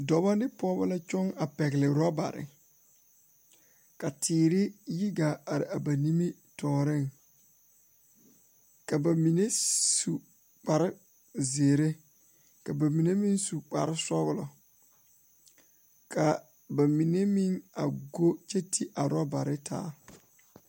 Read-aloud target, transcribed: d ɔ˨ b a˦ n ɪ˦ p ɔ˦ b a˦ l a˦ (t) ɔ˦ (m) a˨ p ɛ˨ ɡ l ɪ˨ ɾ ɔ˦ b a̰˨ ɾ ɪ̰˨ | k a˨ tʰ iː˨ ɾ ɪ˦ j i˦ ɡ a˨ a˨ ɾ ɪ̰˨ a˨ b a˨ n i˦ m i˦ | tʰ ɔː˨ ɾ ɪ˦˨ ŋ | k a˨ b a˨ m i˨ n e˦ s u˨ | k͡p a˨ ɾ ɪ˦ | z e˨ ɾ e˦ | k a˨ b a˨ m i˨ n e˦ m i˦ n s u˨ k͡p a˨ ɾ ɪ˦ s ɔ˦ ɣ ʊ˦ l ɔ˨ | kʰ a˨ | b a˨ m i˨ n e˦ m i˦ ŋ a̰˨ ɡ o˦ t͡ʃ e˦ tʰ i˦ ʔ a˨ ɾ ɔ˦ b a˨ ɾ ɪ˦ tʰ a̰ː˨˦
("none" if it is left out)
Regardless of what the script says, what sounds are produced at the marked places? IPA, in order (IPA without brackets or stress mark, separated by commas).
t͡ʃ, ŋ